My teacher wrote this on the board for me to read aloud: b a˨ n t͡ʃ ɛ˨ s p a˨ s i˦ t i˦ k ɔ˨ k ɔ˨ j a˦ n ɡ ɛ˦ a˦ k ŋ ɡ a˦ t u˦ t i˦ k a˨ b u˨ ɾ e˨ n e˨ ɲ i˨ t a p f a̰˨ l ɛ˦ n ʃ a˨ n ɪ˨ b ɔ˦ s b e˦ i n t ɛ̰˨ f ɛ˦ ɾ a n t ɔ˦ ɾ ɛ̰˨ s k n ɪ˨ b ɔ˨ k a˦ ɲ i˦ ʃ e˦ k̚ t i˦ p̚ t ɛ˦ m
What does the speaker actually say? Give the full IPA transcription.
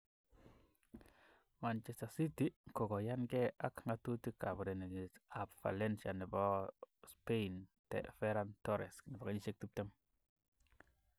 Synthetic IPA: m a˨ n t͡ʃ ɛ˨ s t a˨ s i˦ t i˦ k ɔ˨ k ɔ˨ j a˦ n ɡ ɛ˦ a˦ k ŋ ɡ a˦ t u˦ t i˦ k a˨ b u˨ ɾ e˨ n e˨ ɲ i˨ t a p f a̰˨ l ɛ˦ n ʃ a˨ n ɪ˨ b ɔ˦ s p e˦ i n t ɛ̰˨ f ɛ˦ ɾ a n t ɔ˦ ɾ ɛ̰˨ s k n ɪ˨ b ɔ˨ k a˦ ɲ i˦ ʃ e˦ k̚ t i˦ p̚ t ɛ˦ m